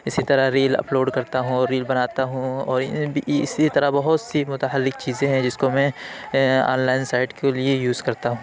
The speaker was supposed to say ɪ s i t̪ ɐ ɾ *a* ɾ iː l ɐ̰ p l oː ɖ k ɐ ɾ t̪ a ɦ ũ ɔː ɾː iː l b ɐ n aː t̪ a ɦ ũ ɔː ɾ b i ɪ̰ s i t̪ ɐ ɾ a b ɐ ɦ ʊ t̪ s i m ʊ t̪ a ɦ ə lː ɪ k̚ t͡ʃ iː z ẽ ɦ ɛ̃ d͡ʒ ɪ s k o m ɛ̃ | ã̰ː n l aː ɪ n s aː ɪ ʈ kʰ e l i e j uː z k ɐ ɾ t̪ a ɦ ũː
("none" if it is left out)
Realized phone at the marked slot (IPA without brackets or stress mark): a